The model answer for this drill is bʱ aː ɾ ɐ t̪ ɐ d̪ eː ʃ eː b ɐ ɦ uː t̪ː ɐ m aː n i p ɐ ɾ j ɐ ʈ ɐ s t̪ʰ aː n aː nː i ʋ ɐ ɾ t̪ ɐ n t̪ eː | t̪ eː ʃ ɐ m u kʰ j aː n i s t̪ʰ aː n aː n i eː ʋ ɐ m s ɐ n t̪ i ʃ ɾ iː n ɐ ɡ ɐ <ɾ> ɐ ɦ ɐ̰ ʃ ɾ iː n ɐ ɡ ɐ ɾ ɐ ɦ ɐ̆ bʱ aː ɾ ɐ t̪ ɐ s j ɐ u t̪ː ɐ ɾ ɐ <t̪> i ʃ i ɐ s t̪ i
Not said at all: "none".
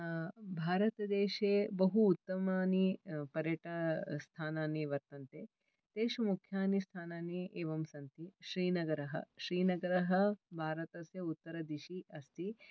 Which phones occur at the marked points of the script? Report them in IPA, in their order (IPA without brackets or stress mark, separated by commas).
ɾ, d̪